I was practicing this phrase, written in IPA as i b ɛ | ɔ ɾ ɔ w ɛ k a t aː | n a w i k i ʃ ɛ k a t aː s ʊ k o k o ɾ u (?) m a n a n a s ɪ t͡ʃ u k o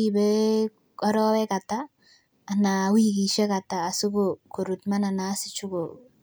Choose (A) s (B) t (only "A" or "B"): B